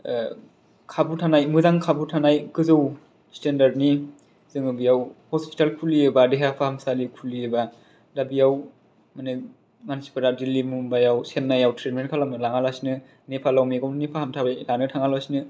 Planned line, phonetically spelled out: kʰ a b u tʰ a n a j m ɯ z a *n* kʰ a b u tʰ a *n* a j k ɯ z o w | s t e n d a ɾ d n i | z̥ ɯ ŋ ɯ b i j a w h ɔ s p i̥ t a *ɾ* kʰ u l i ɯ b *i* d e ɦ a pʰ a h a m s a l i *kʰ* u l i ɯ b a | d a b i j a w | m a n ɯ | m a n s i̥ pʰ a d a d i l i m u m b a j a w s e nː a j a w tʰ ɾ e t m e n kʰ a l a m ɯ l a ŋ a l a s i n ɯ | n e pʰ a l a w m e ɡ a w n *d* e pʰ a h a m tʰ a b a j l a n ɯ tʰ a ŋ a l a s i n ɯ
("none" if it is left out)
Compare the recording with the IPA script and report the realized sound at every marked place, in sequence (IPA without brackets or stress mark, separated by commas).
ŋ, n, l, a, kʰ, n